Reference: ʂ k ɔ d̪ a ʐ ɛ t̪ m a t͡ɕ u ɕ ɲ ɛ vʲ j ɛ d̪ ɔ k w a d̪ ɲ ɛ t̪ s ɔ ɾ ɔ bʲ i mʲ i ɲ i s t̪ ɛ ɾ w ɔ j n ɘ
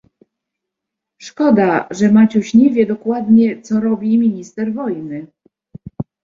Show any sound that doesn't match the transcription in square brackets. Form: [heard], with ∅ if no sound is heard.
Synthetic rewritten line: ʂ k ɔ d̪ a ʐ ɛ [∅] m a t͡ɕ u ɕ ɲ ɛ vʲ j ɛ d̪ ɔ k w a d̪ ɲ ɛ t̪ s ɔ ɾ ɔ bʲ i mʲ i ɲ i s t̪ ɛ ɾ [v] ɔ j n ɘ